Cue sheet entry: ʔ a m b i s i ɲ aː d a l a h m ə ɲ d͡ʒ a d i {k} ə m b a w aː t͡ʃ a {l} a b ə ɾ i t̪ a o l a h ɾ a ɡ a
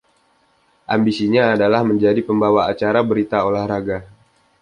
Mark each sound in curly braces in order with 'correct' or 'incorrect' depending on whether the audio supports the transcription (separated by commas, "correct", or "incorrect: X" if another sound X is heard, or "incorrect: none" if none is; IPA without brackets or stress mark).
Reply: incorrect: p, incorrect: ɾ